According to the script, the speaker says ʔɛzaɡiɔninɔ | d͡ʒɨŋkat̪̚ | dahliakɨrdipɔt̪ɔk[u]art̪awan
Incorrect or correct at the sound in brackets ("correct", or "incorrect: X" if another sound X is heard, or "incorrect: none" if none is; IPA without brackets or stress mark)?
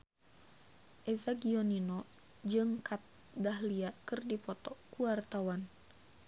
correct